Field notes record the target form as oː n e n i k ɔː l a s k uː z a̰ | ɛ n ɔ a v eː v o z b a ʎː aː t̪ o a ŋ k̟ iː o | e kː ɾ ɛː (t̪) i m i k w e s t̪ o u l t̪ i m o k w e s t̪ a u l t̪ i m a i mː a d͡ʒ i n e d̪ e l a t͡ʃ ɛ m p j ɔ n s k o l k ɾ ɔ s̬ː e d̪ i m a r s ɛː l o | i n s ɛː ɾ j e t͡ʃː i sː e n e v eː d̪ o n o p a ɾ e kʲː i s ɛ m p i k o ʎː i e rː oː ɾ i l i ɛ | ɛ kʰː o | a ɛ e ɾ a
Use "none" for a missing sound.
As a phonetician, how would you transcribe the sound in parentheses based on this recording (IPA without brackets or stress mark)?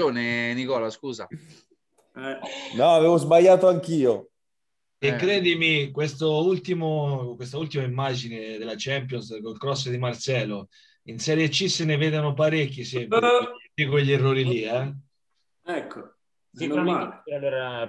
d̪